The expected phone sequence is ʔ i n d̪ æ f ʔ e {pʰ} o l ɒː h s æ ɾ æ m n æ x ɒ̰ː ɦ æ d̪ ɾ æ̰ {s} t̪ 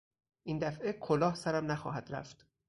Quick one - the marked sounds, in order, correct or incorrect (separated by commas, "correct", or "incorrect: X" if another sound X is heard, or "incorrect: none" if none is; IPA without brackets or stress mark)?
incorrect: kʰ, incorrect: f